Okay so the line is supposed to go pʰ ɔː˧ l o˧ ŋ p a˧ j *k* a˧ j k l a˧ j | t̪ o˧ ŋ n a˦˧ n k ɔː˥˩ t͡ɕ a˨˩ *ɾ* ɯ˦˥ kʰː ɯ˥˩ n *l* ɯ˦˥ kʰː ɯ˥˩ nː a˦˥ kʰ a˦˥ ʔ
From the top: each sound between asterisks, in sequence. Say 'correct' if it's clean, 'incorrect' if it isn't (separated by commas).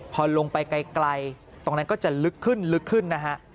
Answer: correct, incorrect, correct